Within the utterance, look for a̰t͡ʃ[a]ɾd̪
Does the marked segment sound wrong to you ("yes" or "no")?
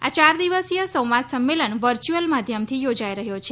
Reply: no